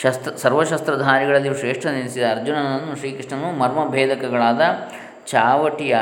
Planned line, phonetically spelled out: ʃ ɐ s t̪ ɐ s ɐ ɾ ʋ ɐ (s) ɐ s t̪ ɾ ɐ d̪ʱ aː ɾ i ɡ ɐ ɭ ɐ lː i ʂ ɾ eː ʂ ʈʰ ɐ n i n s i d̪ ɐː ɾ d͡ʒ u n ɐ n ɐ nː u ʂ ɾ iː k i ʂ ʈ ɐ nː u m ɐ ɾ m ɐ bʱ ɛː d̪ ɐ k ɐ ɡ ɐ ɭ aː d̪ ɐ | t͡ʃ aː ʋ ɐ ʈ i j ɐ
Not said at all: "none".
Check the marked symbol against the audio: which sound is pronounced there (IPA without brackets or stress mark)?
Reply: ʃ